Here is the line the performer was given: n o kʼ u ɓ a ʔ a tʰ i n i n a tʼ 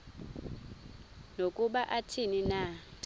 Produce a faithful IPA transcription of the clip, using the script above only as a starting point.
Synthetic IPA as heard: n o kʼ u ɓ a ʔ a tʰ i n i n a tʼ